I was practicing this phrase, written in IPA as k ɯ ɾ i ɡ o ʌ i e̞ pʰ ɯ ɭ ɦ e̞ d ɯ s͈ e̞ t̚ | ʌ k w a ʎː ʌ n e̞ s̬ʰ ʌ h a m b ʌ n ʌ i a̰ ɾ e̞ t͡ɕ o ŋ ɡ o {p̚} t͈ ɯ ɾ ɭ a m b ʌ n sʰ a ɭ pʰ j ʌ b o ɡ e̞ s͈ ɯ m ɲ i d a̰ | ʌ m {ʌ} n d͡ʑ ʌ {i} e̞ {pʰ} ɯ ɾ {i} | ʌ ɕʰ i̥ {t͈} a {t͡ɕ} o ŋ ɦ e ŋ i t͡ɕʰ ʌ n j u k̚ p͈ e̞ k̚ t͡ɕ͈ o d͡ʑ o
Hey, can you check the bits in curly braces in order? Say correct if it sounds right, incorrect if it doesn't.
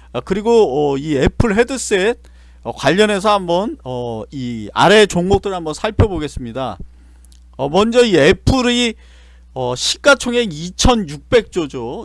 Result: incorrect: k̚, correct, correct, correct, correct, incorrect: k͈, incorrect: t͡ɕʰ

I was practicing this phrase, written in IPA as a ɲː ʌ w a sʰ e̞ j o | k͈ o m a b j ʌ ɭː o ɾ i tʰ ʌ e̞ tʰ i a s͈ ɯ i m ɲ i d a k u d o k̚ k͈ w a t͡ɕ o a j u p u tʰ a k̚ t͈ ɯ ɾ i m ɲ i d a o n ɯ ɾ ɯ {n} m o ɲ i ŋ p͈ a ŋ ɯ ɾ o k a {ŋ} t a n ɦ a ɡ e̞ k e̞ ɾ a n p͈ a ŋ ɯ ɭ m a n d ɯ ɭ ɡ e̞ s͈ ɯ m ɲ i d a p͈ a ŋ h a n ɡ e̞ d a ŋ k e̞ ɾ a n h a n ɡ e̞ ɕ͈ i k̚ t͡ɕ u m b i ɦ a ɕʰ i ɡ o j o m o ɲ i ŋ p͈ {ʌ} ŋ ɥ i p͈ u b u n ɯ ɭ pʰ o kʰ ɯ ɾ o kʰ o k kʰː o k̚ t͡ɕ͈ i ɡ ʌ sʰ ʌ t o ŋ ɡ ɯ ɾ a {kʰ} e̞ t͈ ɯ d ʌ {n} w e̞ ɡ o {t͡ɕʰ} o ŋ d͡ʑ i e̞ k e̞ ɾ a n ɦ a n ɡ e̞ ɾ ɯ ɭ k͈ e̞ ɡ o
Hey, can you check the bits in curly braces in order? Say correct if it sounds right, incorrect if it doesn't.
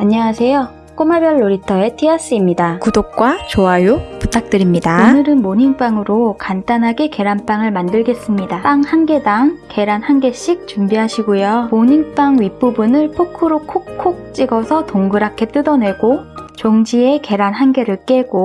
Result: correct, incorrect: n, incorrect: a, correct, correct, incorrect: t͡ɕ

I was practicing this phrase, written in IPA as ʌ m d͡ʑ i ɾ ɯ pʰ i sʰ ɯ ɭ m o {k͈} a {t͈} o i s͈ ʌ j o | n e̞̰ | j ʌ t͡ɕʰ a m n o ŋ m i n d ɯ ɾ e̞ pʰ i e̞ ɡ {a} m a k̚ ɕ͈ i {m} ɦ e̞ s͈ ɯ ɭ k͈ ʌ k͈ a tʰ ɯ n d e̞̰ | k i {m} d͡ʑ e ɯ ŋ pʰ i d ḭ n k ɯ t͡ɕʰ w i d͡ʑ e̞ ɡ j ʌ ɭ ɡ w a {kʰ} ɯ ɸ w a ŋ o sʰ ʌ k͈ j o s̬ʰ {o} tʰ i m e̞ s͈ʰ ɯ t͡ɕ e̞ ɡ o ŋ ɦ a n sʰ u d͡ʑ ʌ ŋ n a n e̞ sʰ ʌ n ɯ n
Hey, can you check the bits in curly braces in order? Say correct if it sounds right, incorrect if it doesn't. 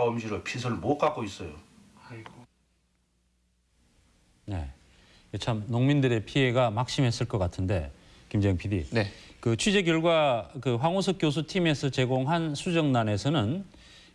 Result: correct, incorrect: k͈, correct, correct, correct, incorrect: k, incorrect: u

